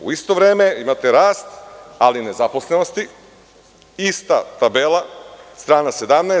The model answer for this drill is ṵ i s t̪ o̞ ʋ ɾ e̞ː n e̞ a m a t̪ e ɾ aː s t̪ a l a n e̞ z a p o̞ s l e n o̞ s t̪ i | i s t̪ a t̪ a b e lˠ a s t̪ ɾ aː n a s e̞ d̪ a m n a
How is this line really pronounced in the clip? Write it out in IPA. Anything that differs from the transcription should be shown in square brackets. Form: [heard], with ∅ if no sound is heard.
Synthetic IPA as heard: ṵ i s t̪ o̞ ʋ ɾ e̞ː [m] e̞ [i] m a t̪ e ɾ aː s t̪ a l [i] n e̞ z a p o̞ s l e n o̞ s t̪ i | i s t̪ a t̪ a b e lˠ a s t̪ ɾ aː n a s e̞ d̪ a m n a